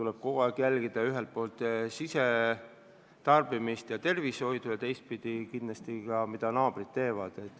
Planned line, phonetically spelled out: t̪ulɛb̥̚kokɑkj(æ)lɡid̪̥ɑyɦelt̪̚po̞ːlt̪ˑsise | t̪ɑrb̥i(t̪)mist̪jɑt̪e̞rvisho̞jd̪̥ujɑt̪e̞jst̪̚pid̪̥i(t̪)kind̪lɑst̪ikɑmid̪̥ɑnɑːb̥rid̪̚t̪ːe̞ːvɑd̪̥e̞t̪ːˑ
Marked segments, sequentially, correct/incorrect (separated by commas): correct, incorrect, incorrect